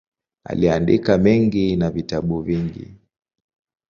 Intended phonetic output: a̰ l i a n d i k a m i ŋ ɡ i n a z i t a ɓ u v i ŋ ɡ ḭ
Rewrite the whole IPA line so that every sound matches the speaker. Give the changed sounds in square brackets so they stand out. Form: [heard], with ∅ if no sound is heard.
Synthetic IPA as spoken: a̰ l i a n d i k a m [ɛ] ŋ ɡ i n a [v] i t a ɓ u v i ŋ ɡ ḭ

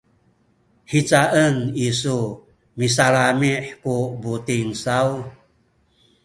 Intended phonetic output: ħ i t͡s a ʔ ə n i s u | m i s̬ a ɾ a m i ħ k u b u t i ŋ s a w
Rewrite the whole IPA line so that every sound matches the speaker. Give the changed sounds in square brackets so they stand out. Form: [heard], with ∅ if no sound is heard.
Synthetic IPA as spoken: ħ i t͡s a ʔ ə n i s u | m i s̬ a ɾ a m i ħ k u b u t i ŋ s a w

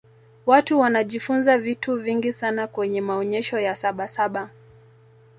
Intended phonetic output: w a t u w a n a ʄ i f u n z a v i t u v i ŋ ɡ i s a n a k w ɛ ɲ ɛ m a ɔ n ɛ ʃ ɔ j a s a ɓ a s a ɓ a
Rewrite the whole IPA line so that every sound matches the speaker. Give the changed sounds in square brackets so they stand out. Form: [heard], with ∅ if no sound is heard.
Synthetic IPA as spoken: w a t u w a n a ʄ i f u n z a v i t u v i ŋ ɡ i s a n a k w ɛ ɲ ɛ m a ɔ [ɲ] ɛ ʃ ɔ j a s a ɓ a s a ɓ a

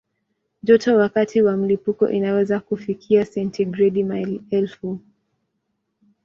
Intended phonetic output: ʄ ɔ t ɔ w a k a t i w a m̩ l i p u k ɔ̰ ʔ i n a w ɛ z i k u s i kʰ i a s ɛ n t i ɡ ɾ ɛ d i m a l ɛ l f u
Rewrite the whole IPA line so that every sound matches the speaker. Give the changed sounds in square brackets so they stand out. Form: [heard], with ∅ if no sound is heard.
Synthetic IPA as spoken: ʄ ɔ t ɔ w a k a t i w a m̩ l i p u k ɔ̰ ʔ i n a w ɛ z [a] k u [f] i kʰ i a s ɛ n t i ɡ ɾ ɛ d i m a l ɛ l f u

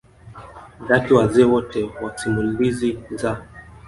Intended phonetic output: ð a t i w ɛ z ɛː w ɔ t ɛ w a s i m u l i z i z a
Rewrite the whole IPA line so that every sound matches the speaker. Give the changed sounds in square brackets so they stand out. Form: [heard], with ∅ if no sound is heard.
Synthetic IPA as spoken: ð a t i w [a] z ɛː w ɔ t ɛ w a s i m u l i z i z a

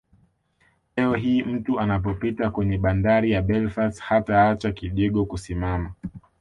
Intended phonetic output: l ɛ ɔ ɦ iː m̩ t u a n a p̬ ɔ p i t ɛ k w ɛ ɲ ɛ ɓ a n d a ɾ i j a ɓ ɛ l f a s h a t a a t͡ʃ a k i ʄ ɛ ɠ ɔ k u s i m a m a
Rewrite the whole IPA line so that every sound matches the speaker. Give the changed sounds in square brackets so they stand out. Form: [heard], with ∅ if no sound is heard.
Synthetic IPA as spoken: l ɛ ɔ ɦ iː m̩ t u a n a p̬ ɔ p i t [a] k w ɛ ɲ ɛ ɓ a n d a ɾ i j a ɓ ɛ l f a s h a t a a t͡ʃ a k i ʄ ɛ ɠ ɔ k u s i m a m a

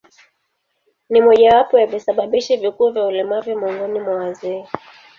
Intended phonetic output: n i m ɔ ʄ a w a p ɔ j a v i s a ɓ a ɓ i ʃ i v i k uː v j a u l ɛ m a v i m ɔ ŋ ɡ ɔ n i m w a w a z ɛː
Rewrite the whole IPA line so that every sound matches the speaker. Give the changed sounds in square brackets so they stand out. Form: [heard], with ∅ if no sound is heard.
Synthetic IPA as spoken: n i m ɔ ʄ a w a p ɔ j a v i s a ɓ a ɓ i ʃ i v i k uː v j a u l ɛ m a v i m ɔ ŋ ɡ ɔ n i m w a w a z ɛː

